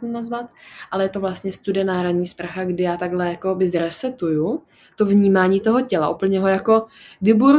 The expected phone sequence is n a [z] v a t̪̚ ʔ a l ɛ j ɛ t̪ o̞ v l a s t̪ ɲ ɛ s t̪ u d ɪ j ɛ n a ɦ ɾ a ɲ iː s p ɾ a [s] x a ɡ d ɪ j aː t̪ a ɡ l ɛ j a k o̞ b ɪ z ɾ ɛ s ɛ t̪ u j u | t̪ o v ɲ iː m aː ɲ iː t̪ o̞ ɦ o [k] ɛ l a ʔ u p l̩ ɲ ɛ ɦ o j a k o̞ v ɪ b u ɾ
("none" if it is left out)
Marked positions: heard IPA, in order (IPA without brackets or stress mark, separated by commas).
z, none, c